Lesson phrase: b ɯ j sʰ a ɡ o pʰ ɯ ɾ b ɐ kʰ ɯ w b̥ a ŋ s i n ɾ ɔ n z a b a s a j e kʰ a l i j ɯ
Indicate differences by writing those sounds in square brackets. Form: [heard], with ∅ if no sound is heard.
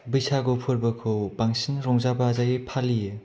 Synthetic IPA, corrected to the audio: b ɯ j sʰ a ɡ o pʰ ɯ ɾ b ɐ kʰ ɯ w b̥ a ŋ s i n ɾ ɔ [ŋ] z a b a [z] a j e [pʰ] a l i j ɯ

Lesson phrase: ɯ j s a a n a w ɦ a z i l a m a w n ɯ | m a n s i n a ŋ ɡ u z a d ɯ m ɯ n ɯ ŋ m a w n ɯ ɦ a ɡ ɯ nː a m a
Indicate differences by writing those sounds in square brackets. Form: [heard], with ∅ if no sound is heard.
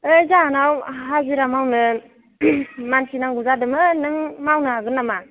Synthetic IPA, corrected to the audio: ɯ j [z] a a n a w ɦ a z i [ɾ] a m a w n ɯ | m a n s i n a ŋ ɡ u z a d ɯ m ɯ n ɯ ŋ m a w n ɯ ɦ a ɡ ɯ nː a m a

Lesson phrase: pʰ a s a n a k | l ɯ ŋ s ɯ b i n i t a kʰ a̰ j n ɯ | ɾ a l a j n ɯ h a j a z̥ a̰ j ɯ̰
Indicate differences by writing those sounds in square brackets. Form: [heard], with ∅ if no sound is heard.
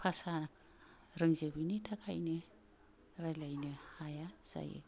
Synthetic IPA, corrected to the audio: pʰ a s a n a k | [ɾ] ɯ ŋ [z] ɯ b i n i [tʰ] a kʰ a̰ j n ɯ | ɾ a l a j n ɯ h a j a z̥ a̰ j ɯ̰

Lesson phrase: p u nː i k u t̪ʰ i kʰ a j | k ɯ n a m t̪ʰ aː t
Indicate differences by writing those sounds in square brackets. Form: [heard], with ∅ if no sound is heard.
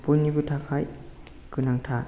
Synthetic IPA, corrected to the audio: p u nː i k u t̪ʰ [a] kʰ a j | k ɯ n a [ŋ] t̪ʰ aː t

